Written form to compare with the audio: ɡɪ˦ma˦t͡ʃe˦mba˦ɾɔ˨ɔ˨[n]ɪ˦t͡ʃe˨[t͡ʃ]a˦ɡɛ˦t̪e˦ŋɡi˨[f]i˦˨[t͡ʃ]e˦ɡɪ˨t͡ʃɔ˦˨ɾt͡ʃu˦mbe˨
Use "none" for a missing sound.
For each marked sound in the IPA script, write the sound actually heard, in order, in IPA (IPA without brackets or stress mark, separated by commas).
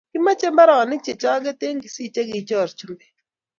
n, t͡ʃ, s, t͡ʃ